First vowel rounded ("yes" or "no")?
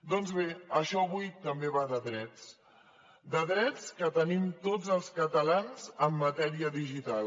yes